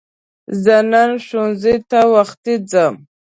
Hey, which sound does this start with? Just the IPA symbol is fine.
z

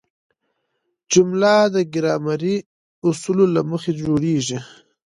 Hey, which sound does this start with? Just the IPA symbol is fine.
d͡ʒ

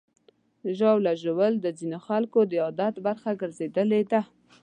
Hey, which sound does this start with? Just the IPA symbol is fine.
ʒ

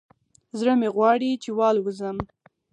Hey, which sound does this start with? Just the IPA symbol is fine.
z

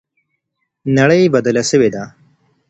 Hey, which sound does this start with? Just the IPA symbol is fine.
n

